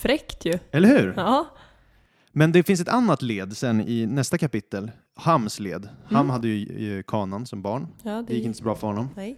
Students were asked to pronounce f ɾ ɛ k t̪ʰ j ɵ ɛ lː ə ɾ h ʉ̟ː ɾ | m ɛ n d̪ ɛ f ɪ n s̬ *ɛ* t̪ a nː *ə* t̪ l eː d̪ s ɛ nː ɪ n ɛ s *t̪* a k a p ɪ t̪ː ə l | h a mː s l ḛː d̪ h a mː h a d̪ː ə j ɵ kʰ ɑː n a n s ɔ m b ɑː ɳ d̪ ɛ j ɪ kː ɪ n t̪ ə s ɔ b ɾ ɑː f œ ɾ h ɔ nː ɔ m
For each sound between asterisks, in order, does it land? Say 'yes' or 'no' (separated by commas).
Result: yes, no, yes